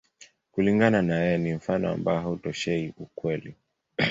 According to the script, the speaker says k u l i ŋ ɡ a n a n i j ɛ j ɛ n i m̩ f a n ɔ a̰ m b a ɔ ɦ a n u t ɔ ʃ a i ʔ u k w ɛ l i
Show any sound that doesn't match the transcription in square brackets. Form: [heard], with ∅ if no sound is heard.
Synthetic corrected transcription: k u l i ŋ ɡ a n a n [a] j ɛ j ɛ n i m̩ f a n ɔ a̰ m b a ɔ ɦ a [∅] u t ɔ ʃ [ɛ] i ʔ u k w ɛ l i

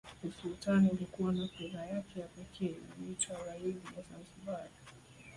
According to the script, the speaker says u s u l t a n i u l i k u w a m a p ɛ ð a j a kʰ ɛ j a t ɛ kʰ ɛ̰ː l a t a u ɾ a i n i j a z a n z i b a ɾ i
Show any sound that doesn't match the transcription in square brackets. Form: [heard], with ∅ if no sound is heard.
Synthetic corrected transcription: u s u l t a n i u l i k u w a [n] a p ɛ ð a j a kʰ ɛ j a [p] ɛ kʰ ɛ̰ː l [i] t a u ɾ a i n i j a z a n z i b a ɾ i

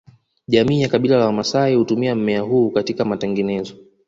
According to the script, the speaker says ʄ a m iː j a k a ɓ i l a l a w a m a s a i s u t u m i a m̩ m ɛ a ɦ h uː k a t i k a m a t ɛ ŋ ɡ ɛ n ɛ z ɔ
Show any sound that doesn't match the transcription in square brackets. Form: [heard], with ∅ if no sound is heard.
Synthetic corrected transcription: ʄ a m iː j a k a ɓ i l a l a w a m a s a i [h] u t u m i a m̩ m ɛ a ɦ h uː k a t i k a m a t ɛ ŋ ɡ ɛ n ɛ z ɔ

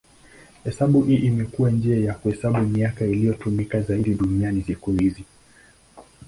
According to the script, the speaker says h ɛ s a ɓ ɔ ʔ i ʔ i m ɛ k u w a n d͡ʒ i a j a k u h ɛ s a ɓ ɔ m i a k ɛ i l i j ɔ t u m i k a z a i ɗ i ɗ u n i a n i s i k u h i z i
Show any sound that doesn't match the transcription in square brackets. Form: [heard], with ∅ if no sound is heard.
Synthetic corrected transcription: h ɛ s a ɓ [u] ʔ i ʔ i m ɛ k u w a n d͡ʒ i a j a k u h ɛ s a ɓ [u] m i a k [a] i l i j ɔ t u m i k a z a i ɗ i ɗ u n i a n i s i k u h i z i

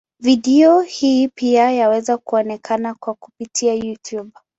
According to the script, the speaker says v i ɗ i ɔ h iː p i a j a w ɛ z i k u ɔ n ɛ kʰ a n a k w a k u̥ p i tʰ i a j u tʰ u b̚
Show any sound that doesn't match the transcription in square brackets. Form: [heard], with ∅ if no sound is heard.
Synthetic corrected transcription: v i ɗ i ɔ h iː p i a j a w ɛ z [a] k u ɔ n ɛ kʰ a n a k w a k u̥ p i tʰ i a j u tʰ u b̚

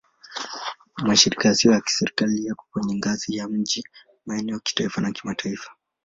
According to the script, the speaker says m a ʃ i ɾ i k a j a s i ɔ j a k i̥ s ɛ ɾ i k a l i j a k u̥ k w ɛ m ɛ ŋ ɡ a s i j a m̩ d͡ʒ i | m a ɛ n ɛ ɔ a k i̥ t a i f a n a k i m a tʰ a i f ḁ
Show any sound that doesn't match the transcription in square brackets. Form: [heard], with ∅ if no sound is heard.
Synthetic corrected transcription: m a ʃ i ɾ i k a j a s i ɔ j a k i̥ s ɛ ɾ i k a l i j a k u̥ k w ɛ [ɲ] ɛ ŋ ɡ a [z] i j a m̩ d͡ʒ i | m a ɛ n ɛ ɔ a k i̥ t a i f a n a k i m a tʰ a i f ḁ

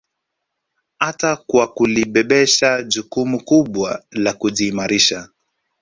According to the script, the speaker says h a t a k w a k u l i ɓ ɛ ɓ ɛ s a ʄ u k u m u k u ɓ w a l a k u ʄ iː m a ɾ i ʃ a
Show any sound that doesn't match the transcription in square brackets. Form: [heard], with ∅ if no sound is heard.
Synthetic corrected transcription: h a t a k w a k u l i ɓ ɛ ɓ ɛ [ʃ] a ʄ u k u m u k u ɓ w a l a k u ʄ iː m a ɾ i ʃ a

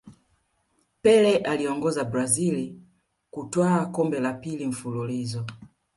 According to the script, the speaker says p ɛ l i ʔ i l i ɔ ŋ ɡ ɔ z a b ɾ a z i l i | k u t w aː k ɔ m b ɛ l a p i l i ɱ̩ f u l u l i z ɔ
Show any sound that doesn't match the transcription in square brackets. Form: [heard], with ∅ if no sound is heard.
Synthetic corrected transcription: p ɛ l [ɛ] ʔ [a] l i ɔ ŋ ɡ ɔ z a b ɾ a z i l i | k u t w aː k ɔ m b ɛ l a p i l i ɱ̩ f u l u l i z ɔ

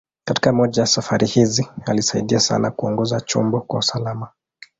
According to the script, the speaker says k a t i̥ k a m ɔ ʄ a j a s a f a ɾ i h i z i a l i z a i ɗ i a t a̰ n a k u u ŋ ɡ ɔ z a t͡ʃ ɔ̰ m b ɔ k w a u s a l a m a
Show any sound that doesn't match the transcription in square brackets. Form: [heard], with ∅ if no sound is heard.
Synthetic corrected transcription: k a t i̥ k a m ɔ ʄ a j a s a f a ɾ i h i z i a l i [s] a i ɗ i a [s] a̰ n a k u [ɔ] ŋ ɡ ɔ z a t͡ʃ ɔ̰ m b ɔ k w a u s a l a m a

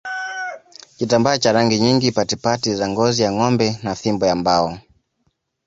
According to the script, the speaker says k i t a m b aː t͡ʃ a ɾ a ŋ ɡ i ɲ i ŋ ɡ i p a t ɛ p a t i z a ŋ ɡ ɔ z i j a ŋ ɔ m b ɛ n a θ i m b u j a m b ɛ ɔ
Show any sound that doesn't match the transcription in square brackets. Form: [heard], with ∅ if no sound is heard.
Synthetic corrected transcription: k i t a m b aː t͡ʃ a ɾ a ŋ ɡ i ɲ i ŋ ɡ i p a t [i] p a t i z a ŋ ɡ ɔ z i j a ŋ ɔ m b ɛ n a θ i m b [ɔ] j a m b [a] ɔ

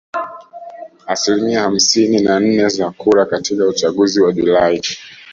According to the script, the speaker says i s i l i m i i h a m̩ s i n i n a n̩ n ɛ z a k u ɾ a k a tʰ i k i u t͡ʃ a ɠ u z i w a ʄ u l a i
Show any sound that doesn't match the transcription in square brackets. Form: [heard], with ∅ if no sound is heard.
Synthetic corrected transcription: [a] s i l i m i [a] h a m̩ s i n i n a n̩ n ɛ z a k u ɾ a k a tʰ i k [a] u t͡ʃ a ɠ u z i w a ʄ u l a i

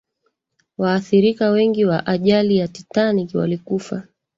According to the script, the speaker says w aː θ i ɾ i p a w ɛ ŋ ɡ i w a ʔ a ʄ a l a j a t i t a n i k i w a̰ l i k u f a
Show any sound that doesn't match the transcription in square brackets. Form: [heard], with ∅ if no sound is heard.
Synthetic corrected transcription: w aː θ i ɾ i [k] a w ɛ ŋ ɡ i w a ʔ a ʄ a l [i] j a t i t a n i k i w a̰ l i k u f a

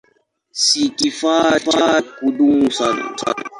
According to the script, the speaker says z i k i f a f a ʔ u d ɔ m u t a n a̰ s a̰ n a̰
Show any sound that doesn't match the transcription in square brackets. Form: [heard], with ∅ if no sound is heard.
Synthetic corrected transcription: [s] i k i f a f a [k] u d [u] m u [s] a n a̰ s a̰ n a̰

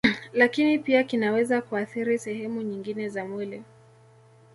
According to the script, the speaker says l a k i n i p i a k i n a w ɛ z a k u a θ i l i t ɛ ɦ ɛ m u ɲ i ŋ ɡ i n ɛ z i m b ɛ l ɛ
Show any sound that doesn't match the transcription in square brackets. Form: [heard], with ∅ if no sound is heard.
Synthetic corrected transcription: l a k i n i p i a k i n a w ɛ z a k u a θ i [ɾ] i [s] ɛ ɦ ɛ m u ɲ i ŋ ɡ i n ɛ z [a] m [w] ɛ l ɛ

